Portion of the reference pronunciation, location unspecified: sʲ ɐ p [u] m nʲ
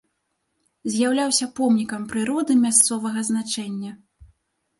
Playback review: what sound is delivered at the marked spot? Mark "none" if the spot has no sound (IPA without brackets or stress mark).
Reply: ɔ